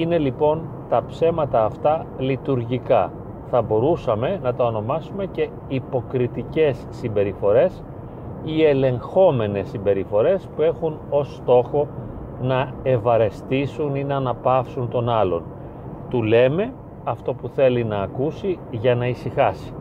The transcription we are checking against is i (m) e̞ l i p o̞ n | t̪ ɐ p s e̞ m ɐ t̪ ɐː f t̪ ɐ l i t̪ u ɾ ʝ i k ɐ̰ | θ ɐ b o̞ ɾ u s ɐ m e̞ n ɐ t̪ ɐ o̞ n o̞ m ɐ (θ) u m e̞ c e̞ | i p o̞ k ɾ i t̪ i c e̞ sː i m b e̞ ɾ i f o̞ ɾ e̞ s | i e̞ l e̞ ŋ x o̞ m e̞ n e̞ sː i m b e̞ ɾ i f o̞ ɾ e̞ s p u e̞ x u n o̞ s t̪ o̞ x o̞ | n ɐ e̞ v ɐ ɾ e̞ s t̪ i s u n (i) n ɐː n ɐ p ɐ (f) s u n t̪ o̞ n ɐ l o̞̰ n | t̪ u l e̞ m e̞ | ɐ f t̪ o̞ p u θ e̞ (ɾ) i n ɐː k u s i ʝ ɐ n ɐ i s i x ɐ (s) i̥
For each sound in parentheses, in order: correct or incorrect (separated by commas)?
incorrect, incorrect, correct, correct, incorrect, correct